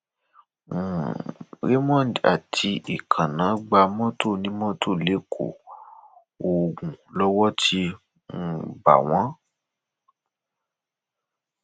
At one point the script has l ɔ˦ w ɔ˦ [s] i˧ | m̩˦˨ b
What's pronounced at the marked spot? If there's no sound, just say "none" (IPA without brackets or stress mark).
t